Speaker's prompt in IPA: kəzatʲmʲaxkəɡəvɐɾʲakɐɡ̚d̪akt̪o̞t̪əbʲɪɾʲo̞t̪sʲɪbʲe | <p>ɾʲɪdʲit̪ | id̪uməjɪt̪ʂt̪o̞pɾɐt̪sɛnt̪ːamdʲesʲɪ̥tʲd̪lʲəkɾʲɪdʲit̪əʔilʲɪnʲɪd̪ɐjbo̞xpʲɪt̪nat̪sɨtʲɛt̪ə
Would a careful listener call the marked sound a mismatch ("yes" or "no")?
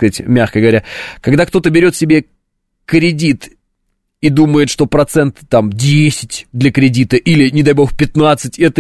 yes